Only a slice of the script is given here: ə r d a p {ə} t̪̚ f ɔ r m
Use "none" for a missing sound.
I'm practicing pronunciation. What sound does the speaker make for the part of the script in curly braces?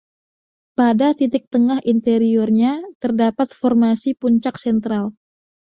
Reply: a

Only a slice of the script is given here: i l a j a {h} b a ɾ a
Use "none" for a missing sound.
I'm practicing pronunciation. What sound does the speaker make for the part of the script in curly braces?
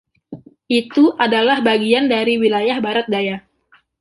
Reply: h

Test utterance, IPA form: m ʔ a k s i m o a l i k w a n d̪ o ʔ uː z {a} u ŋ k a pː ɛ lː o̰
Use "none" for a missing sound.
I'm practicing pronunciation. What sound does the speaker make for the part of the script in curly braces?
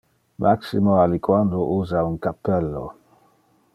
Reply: a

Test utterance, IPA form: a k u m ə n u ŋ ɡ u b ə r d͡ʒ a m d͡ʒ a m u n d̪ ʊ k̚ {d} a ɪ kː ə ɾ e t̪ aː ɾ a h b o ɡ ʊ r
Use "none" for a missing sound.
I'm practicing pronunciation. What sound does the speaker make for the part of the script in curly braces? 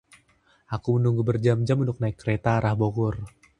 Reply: n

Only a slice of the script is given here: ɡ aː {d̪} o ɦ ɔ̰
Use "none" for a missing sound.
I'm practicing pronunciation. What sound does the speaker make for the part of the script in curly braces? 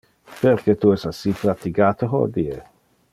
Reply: t̪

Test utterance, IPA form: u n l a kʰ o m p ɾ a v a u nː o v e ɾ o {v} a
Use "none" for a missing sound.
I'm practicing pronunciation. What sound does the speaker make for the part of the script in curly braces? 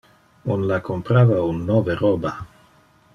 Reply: b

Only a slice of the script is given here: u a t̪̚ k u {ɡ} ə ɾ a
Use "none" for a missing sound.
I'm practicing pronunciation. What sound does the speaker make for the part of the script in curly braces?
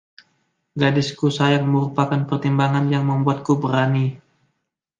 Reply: b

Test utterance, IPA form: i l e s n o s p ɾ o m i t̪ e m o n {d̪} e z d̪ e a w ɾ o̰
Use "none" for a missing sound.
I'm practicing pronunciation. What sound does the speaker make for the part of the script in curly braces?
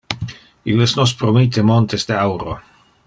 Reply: t̪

